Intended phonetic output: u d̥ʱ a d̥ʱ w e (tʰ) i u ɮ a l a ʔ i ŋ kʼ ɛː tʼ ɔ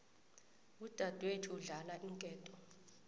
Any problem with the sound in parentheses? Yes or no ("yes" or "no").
no